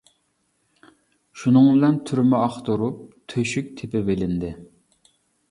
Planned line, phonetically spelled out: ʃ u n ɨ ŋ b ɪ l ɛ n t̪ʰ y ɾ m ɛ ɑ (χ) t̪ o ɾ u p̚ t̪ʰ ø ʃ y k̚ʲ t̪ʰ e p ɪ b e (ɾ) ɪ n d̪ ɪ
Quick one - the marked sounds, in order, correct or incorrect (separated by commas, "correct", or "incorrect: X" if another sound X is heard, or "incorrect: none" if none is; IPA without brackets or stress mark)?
correct, incorrect: l